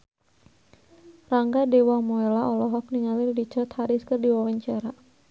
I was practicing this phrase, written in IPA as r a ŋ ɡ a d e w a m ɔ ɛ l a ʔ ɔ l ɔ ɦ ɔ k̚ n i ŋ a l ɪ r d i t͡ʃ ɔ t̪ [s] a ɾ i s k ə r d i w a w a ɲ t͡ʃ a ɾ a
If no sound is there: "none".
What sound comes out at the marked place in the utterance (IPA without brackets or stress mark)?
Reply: h